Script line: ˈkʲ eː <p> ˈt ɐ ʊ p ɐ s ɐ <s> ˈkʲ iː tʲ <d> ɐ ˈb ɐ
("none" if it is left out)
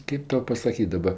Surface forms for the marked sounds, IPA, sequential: p, none, d

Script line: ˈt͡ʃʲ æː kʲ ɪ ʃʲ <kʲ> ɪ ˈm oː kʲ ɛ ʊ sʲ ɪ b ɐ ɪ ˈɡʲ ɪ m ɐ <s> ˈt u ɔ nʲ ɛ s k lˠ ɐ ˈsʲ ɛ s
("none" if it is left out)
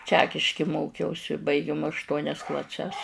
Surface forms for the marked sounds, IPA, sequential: kʲ, ʃ

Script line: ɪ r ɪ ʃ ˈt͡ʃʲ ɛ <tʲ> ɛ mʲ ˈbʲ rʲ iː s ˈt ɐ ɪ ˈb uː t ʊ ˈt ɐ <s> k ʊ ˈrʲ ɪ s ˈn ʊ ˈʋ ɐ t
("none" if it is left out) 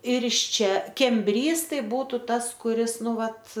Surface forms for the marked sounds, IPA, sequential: kʲ, s

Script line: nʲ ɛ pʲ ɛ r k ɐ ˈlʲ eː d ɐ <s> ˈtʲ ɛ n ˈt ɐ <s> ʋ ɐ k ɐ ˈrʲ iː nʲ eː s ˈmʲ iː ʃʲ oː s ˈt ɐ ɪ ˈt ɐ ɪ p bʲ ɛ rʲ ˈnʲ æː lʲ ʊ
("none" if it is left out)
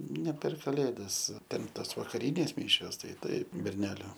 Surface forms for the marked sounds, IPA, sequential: s, s

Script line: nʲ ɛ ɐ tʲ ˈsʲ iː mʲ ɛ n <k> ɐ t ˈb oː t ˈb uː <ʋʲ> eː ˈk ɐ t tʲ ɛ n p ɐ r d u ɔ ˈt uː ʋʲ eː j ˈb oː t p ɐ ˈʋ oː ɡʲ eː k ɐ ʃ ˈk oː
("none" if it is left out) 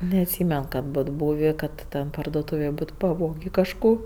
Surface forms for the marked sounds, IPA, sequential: k, ʋʲ

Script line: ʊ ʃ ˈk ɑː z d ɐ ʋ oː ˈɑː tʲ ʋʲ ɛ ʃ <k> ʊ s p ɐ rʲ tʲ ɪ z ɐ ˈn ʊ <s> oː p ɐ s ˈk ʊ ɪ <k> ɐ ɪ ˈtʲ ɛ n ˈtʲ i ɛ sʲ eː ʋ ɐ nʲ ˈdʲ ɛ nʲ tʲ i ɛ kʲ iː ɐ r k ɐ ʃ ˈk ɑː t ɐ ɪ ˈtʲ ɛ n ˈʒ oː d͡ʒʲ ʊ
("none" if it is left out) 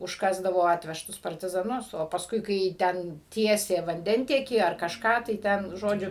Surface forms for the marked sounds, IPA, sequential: t, s, k

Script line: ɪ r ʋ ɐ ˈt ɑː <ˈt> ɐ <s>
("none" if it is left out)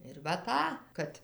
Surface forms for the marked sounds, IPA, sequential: k, t

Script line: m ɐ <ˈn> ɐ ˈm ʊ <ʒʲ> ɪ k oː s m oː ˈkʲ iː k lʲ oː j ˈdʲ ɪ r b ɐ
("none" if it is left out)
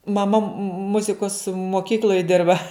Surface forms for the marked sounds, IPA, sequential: m, zʲ

